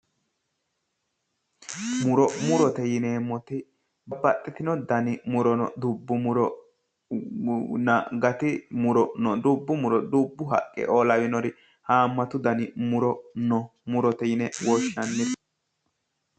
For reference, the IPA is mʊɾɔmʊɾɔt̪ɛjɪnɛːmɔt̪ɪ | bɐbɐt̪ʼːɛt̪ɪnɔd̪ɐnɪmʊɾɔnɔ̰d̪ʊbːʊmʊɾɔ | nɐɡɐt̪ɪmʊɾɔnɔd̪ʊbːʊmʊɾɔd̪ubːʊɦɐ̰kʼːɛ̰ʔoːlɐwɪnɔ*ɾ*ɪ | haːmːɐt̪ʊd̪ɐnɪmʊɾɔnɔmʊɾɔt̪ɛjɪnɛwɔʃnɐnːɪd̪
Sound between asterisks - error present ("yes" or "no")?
no